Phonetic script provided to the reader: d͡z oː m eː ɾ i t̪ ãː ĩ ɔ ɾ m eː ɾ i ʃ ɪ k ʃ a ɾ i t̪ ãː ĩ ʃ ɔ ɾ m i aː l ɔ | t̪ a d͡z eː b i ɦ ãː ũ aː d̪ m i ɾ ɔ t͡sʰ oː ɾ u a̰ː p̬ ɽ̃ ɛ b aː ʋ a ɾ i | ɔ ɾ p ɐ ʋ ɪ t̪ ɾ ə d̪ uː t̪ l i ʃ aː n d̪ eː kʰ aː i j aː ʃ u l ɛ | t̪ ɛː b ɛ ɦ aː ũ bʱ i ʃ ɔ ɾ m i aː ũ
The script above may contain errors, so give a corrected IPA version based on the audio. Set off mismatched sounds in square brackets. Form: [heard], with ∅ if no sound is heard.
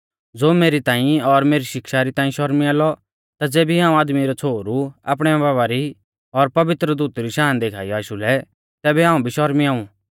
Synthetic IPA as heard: d͡z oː m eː ɾ i t̪ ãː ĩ ɔ ɾ m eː ɾ i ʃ ɪ k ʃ a ɾ i t̪ ãː ĩ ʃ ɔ ɾ m i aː l ɔ | t̪ a d͡z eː b i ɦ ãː ũ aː d̪ m i ɾ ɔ t͡sʰ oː ɾ u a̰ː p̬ ɽ̃ ɛ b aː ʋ a ɾ i | ɔ ɾ p ɐ ʋ ɪ t̪ ɾ ə d̪ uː t̪ [ɾ] i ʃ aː n d̪ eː kʰ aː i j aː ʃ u l ɛ | t̪ ɛː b ɛ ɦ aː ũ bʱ i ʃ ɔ ɾ m i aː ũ